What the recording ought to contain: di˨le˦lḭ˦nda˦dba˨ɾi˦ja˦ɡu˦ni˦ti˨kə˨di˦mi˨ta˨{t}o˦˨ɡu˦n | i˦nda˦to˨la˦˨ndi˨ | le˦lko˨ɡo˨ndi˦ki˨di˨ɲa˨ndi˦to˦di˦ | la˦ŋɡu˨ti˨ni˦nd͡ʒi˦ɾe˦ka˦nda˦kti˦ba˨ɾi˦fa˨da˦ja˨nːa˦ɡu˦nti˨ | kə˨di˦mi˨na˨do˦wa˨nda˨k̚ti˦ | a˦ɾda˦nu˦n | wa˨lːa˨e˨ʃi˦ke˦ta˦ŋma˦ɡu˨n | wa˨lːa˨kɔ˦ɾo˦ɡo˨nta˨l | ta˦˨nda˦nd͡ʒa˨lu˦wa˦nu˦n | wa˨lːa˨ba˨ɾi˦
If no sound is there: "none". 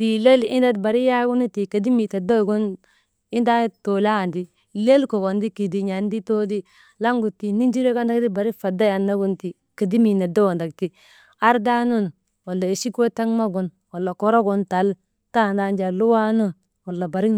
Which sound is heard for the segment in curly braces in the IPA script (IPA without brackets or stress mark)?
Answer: d